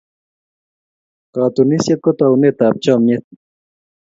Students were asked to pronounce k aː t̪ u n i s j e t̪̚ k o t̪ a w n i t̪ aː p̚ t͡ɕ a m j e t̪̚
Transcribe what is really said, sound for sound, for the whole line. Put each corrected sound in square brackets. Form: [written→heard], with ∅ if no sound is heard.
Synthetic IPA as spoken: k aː t̪ u n i s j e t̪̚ k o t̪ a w n [i→e] t̪ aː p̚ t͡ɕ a m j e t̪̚